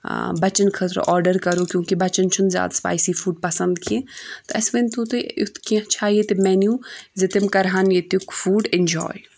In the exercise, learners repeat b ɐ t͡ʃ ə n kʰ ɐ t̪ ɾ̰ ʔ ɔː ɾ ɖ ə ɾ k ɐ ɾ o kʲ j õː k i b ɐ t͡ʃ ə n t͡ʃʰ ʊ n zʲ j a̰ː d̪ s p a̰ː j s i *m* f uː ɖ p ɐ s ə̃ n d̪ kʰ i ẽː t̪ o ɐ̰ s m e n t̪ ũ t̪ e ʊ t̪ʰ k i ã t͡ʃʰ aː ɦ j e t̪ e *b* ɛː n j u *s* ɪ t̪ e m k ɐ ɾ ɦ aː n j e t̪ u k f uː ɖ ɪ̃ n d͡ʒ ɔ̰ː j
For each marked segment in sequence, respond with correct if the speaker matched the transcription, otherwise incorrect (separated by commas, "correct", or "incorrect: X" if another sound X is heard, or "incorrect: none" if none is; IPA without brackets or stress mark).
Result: incorrect: none, incorrect: m, incorrect: z